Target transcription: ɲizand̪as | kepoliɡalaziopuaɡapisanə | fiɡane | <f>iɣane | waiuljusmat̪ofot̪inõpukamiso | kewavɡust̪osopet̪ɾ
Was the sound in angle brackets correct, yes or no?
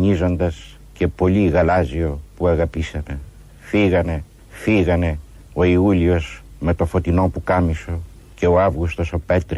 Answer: yes